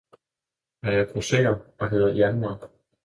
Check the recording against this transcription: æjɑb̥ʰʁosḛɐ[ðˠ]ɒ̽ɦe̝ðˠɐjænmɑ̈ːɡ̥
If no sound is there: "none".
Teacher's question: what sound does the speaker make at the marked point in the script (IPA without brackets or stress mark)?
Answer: none